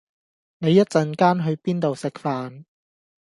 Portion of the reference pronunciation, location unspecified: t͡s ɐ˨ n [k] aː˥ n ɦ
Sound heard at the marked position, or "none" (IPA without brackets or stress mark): k